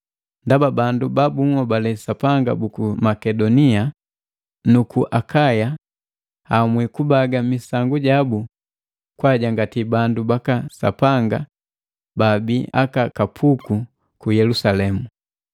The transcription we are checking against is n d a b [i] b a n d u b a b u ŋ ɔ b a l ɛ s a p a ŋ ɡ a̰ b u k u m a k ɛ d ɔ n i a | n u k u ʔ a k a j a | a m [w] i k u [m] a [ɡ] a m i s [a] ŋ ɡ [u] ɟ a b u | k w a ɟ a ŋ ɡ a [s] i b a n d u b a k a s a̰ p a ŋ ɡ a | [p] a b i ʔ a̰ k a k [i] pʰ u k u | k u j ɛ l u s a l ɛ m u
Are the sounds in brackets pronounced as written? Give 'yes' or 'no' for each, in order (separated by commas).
no, yes, no, yes, yes, yes, no, no, no